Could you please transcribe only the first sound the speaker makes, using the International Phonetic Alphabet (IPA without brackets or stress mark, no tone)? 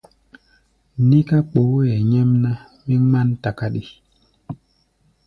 n